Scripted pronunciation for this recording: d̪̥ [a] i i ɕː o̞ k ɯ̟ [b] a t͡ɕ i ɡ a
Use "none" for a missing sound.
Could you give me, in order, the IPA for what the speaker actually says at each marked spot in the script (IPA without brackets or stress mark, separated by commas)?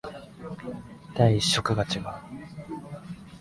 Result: a, ɡ